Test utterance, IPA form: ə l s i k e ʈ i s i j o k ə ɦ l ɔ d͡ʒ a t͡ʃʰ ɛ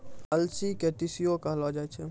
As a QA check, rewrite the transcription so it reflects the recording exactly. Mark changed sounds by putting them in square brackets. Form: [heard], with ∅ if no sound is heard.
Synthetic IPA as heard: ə l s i k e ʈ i s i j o k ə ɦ l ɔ d͡ʒ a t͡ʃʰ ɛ